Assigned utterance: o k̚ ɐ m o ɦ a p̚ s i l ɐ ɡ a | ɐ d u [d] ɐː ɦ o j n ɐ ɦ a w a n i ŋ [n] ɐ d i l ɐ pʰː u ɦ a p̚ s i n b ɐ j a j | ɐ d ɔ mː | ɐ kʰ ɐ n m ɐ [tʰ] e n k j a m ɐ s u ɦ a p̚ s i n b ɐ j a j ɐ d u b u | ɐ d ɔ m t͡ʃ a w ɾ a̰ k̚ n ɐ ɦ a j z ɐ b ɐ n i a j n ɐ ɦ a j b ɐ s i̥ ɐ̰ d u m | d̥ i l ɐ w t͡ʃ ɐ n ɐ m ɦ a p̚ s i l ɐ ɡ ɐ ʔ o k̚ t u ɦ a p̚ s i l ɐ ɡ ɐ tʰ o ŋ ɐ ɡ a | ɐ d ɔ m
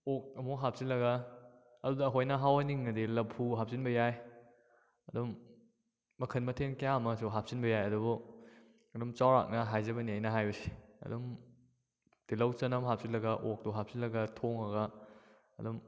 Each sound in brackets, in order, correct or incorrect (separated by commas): correct, correct, correct